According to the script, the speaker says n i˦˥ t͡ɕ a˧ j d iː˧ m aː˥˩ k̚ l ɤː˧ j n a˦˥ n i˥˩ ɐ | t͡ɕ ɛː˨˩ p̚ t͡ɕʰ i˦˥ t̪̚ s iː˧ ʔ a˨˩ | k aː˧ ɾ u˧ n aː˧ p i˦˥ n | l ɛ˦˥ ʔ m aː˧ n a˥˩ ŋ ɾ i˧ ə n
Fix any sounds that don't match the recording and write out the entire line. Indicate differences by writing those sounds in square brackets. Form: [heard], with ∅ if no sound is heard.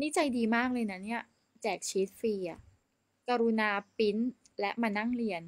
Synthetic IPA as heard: n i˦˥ t͡ɕ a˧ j d iː˧ m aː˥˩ k̚ l ɤː˧ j n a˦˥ n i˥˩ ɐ | t͡ɕ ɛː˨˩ [k̚] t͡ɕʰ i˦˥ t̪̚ [f] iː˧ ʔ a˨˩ | k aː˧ ɾ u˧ n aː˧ p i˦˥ n | l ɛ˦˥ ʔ m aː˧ n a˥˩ ŋ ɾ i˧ ə n